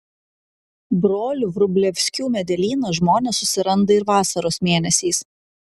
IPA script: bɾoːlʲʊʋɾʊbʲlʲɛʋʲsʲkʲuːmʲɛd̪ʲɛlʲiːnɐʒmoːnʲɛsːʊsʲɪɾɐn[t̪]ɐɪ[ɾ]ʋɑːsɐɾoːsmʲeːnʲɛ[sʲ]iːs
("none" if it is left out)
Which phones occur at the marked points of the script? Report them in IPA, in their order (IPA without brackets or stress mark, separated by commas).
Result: d̪, ɾ, sʲ